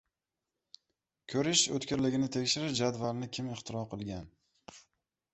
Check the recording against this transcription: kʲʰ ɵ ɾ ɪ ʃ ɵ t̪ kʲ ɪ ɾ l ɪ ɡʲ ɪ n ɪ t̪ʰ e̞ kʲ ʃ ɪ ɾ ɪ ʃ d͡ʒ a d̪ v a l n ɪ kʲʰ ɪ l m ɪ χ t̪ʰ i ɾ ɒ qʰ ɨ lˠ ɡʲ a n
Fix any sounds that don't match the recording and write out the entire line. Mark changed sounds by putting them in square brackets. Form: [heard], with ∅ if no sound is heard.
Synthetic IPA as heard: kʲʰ ɵ ɾ ɪ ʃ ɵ t̪ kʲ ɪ ɾ l ɪ ɡʲ ɪ n ɪ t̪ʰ e̞ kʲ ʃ ɪ ɾ ɪ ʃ d͡ʒ a d̪ v a l n ɪ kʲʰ ɪ [∅] m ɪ χ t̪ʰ [ɪ] ɾ ɒ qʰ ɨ lˠ ɡʲ a n